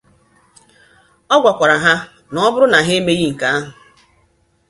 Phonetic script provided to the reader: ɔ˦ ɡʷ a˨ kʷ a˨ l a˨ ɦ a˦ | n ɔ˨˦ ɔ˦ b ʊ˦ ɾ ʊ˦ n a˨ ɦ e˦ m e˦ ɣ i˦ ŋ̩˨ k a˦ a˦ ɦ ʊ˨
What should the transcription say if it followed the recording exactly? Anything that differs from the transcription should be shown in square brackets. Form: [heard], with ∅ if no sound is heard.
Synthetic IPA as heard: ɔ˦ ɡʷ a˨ kʷ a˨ [ɾ] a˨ ɦ a˦ | n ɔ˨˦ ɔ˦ b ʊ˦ ɾ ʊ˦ n a˨ ɦ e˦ m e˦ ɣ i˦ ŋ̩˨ k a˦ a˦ ɦ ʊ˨